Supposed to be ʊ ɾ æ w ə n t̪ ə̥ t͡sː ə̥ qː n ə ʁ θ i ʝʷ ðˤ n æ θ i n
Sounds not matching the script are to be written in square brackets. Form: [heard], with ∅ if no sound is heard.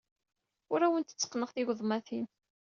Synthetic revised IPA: ʊ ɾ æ w ə n t̪ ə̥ t͡sː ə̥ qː n ə ʁ θ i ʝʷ ðˤ [m] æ θ i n